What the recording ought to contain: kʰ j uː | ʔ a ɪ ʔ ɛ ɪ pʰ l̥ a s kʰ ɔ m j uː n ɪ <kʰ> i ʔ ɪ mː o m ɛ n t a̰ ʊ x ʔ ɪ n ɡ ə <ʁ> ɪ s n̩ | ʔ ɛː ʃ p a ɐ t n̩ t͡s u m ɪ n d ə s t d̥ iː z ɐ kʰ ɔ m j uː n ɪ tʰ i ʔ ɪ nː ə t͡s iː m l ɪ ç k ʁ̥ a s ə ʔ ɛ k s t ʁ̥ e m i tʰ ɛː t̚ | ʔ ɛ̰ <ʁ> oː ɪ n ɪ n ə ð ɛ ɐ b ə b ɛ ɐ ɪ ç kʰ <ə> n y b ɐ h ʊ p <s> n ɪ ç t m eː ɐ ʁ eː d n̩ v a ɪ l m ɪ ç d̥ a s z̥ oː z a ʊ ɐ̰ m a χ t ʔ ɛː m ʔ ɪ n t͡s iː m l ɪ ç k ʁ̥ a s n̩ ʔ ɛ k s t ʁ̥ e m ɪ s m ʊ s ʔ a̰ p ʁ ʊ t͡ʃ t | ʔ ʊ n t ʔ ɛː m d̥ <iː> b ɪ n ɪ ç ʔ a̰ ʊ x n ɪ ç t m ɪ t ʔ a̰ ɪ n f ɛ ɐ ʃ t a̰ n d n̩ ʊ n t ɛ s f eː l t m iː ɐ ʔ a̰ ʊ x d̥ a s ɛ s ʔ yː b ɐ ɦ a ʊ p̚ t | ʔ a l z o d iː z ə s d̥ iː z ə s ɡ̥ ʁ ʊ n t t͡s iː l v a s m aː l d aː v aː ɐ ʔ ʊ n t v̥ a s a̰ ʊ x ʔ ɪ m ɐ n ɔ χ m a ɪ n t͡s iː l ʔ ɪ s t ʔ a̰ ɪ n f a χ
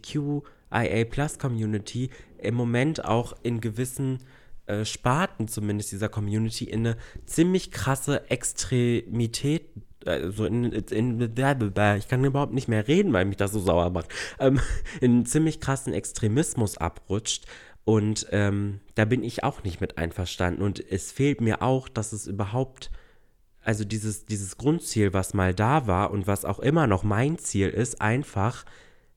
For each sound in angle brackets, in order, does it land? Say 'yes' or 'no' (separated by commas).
no, no, no, no, no, no